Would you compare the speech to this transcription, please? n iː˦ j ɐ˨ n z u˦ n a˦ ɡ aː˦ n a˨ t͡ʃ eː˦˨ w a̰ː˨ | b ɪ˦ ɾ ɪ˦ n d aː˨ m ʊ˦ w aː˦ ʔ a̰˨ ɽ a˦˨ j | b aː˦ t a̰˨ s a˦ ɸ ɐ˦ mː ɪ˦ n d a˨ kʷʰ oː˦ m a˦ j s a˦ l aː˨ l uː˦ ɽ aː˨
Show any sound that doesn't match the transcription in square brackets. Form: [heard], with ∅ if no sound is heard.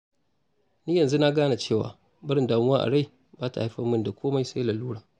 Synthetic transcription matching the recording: n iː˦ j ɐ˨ n z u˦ n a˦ ɡ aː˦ n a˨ t͡ʃ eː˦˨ w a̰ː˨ | b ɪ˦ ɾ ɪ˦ n d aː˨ m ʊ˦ w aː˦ ʔ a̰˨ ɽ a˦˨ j | b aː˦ t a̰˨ [h] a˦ ɸ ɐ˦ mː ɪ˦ n d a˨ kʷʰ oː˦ m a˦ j s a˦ l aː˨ l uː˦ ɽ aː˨